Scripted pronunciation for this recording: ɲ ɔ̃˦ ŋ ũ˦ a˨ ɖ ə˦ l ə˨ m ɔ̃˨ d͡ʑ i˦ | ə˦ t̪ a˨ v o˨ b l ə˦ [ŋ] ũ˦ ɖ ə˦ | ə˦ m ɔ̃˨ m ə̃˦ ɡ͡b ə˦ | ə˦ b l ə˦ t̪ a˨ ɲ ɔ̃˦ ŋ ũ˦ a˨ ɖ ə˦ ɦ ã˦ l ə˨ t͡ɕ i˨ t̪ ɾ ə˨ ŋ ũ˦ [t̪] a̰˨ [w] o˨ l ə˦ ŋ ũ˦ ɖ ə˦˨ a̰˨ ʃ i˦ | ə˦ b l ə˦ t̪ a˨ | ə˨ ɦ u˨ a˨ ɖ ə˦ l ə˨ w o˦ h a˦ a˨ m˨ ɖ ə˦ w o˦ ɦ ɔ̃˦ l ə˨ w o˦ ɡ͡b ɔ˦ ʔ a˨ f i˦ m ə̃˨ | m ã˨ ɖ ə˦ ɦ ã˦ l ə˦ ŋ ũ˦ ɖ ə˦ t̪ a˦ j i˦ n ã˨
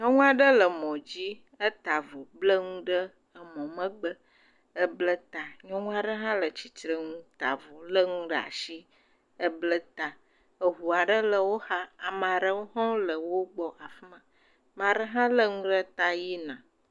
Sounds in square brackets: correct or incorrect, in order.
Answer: correct, correct, incorrect: v

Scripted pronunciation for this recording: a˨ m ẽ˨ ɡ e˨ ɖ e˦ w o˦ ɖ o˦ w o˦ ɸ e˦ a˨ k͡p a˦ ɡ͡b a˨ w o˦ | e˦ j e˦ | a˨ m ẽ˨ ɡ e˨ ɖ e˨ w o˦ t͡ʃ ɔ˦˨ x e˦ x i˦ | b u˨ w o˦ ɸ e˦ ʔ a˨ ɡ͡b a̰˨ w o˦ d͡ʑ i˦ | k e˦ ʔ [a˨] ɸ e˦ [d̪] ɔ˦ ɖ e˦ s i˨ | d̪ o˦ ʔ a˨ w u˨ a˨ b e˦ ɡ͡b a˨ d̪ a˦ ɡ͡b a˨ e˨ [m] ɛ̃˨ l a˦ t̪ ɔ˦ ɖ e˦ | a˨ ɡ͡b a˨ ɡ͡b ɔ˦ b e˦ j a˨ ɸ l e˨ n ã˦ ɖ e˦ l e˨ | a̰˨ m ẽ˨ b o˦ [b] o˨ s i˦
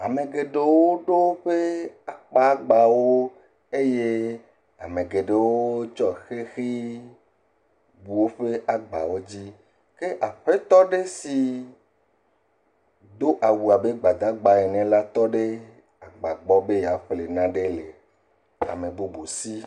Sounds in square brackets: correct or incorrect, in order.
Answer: correct, incorrect: t̪, incorrect: n, correct

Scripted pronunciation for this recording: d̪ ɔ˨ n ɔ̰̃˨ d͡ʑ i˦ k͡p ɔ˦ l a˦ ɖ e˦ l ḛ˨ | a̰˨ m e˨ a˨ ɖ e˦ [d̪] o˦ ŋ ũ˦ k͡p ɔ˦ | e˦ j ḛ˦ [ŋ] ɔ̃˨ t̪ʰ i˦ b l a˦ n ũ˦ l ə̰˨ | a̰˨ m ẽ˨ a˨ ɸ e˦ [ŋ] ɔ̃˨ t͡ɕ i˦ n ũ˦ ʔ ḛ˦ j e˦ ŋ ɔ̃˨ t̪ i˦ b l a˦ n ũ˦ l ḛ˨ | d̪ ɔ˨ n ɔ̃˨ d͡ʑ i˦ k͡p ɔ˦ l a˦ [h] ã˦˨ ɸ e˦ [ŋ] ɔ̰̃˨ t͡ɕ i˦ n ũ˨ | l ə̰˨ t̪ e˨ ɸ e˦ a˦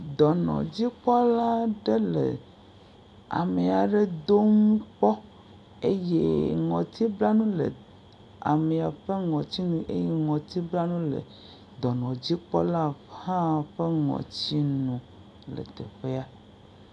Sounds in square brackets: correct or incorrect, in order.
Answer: correct, correct, correct, correct, correct

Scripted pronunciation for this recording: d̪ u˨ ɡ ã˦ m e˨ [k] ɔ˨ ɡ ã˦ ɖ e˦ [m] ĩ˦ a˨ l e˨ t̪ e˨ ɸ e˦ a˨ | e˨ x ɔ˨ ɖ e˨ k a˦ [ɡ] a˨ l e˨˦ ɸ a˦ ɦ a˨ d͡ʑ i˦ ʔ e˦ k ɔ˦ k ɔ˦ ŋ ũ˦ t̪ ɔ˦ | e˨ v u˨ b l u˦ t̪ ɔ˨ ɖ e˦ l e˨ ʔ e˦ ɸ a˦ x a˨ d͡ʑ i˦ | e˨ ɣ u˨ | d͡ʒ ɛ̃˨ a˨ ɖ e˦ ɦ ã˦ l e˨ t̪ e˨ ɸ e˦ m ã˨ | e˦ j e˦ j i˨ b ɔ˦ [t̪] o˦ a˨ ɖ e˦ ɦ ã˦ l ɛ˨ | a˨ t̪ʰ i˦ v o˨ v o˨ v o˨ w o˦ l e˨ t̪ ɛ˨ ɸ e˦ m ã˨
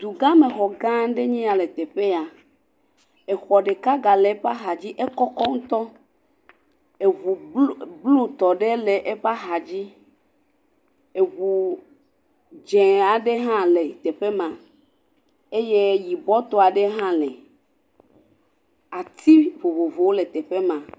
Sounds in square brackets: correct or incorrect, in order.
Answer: incorrect: x, incorrect: ɲ, correct, correct

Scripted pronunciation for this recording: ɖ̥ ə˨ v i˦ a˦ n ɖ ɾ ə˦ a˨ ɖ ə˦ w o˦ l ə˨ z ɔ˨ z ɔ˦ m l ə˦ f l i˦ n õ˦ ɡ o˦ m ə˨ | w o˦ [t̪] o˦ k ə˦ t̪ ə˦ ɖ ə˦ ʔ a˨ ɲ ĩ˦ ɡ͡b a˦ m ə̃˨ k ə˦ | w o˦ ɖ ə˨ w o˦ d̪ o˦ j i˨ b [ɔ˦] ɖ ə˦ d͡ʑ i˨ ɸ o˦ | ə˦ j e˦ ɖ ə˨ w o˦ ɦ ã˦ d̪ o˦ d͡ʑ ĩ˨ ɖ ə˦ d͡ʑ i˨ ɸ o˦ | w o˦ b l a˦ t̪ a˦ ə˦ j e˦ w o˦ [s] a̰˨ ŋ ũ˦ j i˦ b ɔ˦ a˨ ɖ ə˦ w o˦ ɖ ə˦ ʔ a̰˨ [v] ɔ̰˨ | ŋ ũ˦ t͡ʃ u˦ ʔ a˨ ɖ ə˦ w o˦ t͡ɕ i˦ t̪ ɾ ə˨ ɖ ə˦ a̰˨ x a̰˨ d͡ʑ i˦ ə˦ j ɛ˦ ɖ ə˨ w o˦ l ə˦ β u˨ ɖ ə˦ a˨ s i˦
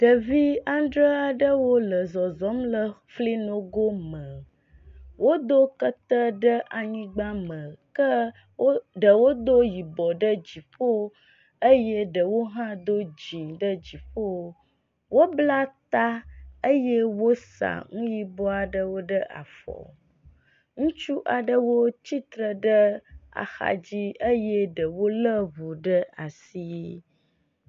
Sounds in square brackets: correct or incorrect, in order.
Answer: incorrect: d̪, incorrect: ɔ˨, correct, incorrect: f

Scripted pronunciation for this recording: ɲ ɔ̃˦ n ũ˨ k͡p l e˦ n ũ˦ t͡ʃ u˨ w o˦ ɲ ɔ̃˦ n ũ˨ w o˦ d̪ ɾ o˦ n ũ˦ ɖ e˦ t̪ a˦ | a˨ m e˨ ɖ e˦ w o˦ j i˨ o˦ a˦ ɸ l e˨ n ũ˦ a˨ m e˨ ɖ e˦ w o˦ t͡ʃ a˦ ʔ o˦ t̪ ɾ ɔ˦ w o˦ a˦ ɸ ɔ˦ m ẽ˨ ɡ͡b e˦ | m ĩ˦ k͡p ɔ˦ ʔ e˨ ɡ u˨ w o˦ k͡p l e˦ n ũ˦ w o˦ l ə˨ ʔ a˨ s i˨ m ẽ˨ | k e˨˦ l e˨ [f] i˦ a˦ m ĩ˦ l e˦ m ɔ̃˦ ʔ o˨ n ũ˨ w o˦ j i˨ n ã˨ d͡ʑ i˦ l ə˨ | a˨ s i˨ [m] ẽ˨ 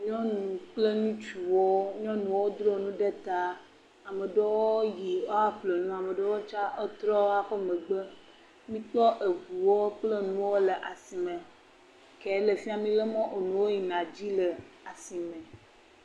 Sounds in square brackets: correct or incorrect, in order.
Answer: correct, correct

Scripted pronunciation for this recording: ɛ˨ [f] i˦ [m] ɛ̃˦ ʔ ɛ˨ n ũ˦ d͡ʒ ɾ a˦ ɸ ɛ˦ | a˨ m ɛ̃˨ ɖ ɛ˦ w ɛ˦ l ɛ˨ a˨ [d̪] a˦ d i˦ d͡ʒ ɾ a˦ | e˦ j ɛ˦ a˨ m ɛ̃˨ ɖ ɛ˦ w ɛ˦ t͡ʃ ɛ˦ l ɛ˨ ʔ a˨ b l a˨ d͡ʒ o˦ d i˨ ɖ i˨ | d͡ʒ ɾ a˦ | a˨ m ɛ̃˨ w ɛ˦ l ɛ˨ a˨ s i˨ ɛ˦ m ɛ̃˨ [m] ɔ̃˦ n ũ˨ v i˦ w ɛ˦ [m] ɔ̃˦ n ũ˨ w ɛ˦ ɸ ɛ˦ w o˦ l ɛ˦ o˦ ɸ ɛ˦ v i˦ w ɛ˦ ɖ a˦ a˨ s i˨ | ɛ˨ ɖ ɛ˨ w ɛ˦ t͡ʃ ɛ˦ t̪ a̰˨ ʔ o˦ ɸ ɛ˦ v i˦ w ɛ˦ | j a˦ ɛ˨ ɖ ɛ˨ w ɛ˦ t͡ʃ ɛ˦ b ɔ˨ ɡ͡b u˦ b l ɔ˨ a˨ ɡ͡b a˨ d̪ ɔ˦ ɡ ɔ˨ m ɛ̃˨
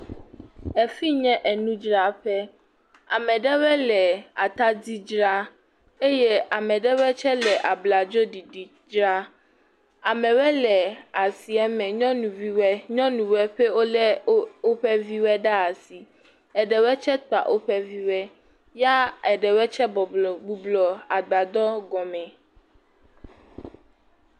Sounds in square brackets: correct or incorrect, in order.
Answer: correct, incorrect: ɲ, incorrect: t̪, incorrect: ɲ, incorrect: ɲ

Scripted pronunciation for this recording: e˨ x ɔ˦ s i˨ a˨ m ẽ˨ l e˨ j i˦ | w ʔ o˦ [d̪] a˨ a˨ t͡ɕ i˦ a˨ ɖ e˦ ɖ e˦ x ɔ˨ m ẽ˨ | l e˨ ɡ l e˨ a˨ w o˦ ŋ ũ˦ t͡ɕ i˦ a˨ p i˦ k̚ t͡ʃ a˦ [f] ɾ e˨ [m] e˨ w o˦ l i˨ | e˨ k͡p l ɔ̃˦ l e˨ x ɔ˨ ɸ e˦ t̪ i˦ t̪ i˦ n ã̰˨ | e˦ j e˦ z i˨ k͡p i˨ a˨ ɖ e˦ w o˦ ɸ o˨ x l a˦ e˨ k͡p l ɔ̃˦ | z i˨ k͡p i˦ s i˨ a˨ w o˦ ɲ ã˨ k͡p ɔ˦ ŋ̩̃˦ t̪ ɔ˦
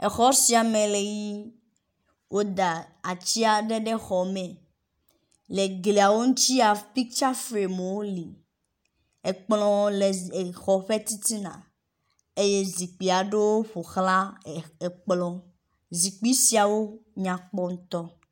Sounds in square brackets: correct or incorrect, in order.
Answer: correct, correct, correct

